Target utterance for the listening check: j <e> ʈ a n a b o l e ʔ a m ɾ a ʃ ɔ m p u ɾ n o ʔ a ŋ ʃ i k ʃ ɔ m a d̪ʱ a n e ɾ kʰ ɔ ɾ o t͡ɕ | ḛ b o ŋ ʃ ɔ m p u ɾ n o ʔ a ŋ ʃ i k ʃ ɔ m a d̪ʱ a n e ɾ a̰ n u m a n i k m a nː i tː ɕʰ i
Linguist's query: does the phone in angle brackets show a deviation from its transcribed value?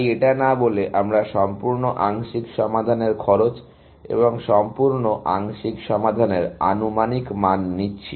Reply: no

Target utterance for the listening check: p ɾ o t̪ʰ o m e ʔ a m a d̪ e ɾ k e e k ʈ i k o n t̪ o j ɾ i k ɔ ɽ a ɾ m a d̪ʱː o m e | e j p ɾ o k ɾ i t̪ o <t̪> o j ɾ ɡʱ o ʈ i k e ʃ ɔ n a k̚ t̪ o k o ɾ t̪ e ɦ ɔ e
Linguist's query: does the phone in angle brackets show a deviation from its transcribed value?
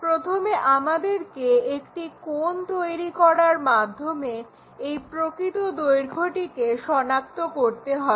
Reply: yes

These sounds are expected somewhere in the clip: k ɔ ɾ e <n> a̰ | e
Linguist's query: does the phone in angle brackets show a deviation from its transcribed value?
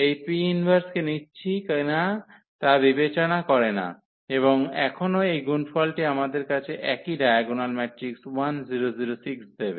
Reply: no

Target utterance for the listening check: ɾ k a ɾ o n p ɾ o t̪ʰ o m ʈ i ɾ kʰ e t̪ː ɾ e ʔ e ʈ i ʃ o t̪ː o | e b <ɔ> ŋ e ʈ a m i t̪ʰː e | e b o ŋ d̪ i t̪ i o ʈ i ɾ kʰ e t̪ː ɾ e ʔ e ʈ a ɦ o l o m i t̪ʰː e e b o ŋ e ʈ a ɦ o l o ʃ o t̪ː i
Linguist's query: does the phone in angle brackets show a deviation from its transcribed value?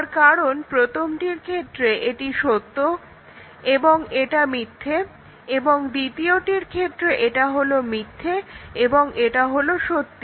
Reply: yes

